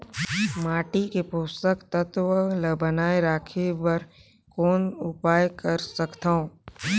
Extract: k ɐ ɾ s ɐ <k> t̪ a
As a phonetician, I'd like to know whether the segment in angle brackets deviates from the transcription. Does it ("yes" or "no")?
no